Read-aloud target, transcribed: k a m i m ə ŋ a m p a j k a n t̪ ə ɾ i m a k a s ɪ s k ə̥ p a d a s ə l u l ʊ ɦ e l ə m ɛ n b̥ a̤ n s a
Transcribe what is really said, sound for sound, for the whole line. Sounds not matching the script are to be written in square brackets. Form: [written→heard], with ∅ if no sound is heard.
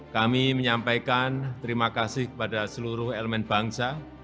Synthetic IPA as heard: k a m i m ə [ŋ→ɲ] a m p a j k a n t̪ ə ɾ i m a k a s ɪ [s→h] k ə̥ p a d a s ə l u [l→ɾ] ʊ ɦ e l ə m ɛ n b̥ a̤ [n→ŋ] s a

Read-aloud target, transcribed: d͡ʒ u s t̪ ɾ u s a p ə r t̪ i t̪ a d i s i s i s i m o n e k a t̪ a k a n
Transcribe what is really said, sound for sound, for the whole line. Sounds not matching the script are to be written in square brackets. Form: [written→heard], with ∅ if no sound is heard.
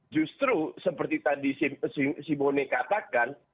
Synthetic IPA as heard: d͡ʒ u s t̪ ɾ u s [a→ə] p ə r t̪ i t̪ a d i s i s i s i m o n e k a t̪ a k a n

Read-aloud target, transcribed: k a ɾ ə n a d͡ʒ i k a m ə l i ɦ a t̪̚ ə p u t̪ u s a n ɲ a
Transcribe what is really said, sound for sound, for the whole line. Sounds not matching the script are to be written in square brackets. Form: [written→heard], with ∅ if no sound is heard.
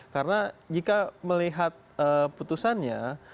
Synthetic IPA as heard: k a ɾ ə n a d͡ʒ i k a m ə l i ɦ a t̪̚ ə p u t̪ u s a n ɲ a

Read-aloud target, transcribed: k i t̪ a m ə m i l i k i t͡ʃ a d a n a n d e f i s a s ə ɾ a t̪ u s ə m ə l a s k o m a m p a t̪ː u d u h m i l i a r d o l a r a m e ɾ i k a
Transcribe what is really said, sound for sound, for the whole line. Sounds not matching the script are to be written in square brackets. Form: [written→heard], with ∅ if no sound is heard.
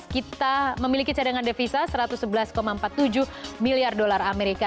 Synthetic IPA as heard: k i t̪ a m ə m i l i k i t͡ʃ a d a [n→ŋ] a n d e f i s a s ə ɾ a t̪ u s ə [m→b] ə l a s k o m a m p a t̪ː u [d→d͡ʒ] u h m i l i a r d o l a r a m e ɾ i k a

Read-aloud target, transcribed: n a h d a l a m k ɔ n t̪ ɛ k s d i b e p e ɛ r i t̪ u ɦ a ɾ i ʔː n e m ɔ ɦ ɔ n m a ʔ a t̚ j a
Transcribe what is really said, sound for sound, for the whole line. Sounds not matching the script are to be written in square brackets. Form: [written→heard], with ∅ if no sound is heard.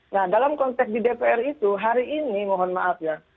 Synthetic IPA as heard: n a h d a l a m k ɔ n t̪ ɛ k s d i [b→d] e p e ɛ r i t̪ u ɦ a ɾ i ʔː n [e→i] m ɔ ɦ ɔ n m a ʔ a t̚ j a

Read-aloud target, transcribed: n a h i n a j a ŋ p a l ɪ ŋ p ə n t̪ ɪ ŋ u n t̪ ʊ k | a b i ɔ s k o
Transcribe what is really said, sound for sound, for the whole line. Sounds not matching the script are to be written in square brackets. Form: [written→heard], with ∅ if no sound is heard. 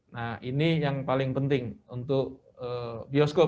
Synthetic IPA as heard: n a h i n [a→i] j a ŋ p a l ɪ ŋ p ə n t̪ ɪ ŋ u n t̪ ʊ k | [a→ə] b i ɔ s k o

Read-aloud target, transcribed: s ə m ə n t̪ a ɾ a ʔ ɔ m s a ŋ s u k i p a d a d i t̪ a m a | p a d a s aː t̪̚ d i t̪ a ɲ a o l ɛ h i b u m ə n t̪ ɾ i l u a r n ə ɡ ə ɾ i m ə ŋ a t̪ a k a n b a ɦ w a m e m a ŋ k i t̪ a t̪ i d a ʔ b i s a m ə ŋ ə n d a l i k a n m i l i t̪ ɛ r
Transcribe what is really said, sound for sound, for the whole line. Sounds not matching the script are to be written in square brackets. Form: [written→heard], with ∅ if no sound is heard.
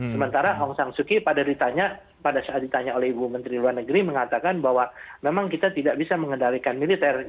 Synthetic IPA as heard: s ə m ə n t̪ a ɾ a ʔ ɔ [m→ŋ] s a ŋ s u k i p a d a d i t̪ a [m→ɲ] a | p a d a s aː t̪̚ d i t̪ a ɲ a o l ɛ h i b u m ə n t̪ ɾ i l u a r n ə ɡ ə ɾ i m ə ŋ a t̪ a k a n b a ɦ w a m e m a ŋ k i t̪ a t̪ i d a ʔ b i s a m ə ŋ ə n d a l i k a n m i l i t̪ ɛ r

